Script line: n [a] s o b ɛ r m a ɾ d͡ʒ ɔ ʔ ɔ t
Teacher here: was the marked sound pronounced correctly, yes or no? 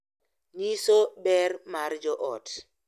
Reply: no